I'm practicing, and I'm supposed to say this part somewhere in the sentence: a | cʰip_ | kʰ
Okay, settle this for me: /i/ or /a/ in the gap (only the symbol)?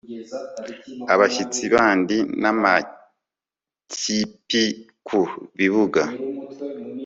i